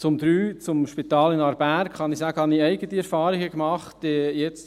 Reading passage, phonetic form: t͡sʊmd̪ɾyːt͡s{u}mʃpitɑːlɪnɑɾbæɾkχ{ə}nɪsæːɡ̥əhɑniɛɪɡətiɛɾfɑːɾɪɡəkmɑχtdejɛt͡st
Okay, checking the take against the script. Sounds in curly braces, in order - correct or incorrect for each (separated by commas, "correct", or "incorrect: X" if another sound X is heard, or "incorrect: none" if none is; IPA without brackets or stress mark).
incorrect: ʊ, incorrect: ɑ